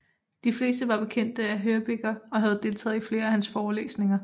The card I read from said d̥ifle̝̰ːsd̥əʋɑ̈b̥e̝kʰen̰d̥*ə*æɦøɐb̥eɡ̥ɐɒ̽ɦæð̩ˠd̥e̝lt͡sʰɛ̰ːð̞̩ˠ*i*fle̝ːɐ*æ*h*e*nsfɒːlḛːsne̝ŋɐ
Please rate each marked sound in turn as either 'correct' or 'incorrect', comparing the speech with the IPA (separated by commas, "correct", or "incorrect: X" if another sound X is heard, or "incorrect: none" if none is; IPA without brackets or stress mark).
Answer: correct, correct, correct, incorrect: æ